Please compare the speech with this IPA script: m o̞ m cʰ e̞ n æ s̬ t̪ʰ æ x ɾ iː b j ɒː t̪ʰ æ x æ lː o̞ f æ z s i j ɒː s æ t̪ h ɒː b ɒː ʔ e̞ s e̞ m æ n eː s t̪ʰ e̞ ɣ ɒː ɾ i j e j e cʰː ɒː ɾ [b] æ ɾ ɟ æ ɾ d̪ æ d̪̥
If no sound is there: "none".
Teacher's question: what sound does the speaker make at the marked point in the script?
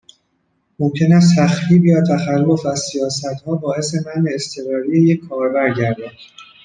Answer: b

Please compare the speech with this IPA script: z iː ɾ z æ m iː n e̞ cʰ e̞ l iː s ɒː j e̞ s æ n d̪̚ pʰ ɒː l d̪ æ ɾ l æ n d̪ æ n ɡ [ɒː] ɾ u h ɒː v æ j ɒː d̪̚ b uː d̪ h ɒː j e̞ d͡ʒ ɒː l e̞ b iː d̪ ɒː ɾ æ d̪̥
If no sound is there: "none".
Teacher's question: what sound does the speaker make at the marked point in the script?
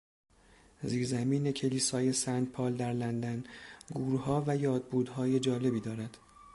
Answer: uː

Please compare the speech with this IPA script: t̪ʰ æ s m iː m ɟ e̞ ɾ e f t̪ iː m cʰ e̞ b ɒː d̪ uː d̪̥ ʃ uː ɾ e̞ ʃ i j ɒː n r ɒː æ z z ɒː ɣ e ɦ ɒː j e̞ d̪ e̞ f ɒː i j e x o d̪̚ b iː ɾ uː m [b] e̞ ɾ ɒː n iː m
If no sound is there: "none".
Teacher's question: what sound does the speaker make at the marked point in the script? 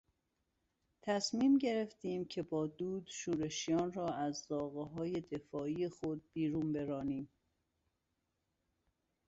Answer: b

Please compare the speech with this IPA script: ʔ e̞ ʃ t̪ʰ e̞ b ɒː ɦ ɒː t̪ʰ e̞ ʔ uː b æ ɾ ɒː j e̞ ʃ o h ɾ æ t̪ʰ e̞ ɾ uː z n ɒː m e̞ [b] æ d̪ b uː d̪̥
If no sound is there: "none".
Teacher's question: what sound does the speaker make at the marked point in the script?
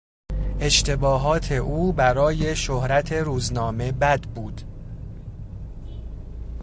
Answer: b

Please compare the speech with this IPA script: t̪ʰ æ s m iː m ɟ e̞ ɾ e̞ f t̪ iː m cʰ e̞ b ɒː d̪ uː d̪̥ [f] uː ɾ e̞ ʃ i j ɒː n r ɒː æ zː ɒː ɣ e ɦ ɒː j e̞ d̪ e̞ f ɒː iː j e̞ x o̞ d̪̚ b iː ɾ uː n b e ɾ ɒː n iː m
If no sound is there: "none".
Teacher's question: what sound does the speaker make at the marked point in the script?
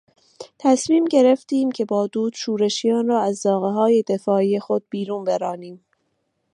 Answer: ʃ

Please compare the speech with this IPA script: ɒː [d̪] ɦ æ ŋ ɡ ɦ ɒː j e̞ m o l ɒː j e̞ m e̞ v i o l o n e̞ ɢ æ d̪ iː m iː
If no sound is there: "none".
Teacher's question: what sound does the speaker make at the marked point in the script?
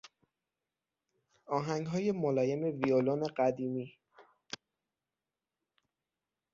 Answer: none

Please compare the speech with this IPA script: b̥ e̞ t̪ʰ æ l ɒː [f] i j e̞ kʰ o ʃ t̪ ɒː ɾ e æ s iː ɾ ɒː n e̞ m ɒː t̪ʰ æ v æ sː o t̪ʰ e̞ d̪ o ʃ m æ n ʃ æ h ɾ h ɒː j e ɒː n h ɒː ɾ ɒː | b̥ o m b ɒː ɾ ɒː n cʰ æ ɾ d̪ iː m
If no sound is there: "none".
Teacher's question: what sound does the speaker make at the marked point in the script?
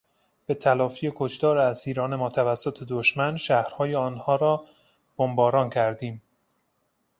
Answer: f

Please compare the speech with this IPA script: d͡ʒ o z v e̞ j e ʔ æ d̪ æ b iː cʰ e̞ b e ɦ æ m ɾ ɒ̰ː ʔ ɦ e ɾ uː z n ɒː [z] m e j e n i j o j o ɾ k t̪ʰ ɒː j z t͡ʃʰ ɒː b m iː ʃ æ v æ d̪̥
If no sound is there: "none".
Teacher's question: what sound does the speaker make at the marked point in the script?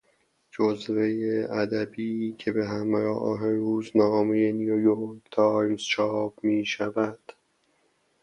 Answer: none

